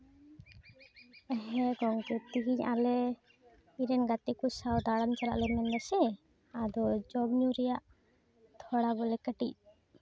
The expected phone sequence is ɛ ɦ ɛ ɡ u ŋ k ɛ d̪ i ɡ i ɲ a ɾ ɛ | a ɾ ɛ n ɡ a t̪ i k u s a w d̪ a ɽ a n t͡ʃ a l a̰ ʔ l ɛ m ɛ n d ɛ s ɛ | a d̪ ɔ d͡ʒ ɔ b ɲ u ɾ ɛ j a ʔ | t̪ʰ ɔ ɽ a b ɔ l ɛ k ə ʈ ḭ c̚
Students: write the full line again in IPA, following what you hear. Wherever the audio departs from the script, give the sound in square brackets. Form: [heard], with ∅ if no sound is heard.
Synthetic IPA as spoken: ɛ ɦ ɛ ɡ [ɔ] ŋ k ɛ [t̪] i ɡ i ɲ a [l] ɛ | [i] ɾ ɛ n ɡ a t̪ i k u s a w d̪ a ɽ a n t͡ʃ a l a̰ ʔ l ɛ m ɛ n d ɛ s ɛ | a d̪ ɔ d͡ʒ ɔ b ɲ u ɾ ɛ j a ʔ | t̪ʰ ɔ ɽ a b ɔ l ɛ k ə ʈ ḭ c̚